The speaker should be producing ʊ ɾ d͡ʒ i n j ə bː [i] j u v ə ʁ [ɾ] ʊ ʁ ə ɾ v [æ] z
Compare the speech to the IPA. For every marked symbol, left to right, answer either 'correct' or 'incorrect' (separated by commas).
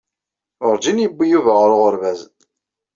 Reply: correct, correct, correct